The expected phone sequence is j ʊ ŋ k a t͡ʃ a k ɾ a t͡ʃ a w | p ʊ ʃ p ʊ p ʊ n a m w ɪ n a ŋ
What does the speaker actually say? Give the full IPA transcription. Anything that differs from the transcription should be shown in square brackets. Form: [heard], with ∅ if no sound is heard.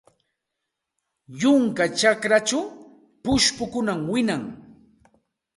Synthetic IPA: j ʊ ŋ k a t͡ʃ a k ɾ a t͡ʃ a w | p ʊ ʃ p ʊ [k] ʊ n a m w ɪ n a ŋ